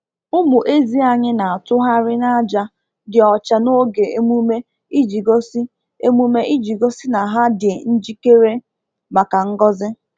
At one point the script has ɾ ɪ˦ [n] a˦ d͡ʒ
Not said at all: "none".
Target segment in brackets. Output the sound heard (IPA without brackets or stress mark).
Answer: n